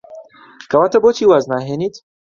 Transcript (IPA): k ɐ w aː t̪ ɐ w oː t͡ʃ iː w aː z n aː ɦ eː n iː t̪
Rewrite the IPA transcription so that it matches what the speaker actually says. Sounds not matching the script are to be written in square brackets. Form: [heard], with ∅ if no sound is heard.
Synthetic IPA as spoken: k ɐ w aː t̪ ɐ [b] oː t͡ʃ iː w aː z n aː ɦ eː n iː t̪